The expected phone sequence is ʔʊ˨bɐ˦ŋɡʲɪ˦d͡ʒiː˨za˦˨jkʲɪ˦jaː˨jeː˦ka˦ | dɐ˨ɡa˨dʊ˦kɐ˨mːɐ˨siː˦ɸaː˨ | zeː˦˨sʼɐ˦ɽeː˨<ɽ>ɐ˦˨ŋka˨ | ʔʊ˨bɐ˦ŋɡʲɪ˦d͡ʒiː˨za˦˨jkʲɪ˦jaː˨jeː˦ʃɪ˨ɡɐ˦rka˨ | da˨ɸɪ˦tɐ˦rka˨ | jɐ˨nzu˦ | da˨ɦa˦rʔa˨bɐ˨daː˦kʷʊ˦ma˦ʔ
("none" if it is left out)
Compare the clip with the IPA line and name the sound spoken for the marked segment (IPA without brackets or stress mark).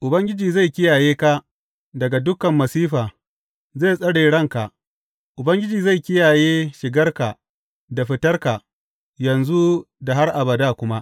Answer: ɽ